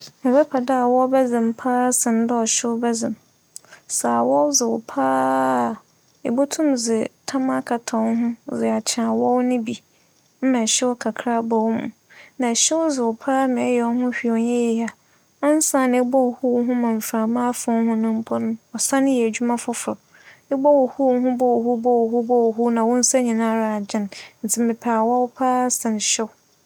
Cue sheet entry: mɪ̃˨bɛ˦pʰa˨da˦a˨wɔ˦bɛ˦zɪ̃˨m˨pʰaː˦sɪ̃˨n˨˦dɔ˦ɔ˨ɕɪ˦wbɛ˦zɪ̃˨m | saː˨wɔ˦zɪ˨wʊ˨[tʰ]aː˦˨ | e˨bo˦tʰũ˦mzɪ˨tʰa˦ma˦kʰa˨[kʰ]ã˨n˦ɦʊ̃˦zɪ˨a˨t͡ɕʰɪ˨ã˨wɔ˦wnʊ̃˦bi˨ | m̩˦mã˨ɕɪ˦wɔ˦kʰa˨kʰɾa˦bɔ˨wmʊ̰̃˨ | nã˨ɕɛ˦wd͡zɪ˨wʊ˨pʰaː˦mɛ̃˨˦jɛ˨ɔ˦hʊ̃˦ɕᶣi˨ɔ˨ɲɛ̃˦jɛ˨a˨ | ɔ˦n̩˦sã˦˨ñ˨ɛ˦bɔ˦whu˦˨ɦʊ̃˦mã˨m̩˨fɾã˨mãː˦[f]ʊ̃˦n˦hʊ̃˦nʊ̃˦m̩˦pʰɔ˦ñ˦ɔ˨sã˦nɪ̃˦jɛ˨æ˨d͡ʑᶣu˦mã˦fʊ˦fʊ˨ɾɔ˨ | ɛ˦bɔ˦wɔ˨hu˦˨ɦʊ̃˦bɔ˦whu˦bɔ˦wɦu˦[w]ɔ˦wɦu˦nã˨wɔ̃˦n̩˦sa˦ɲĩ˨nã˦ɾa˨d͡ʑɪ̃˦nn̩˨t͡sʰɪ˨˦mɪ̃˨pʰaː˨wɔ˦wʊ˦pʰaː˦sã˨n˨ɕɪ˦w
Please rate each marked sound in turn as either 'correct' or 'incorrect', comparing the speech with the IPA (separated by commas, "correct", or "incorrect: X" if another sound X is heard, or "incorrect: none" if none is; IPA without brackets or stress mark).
incorrect: pʰ, incorrect: tʰ, correct, incorrect: b